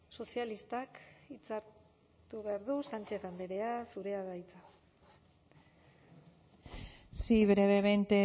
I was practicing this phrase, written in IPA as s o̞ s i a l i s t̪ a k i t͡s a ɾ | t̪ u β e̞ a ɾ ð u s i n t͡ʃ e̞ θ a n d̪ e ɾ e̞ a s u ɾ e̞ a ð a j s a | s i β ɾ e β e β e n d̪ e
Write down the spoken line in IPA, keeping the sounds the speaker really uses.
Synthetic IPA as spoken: s o̞ s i a l i s t̪ a k i t͡s a ɾ | t̪ u β e̞ a ɾ ð u s a n t͡ʃ e̞ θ a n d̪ e ɾ e̞ a s u ɾ e̞ a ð a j t͡s a | s i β ɾ e β e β e n t̪ e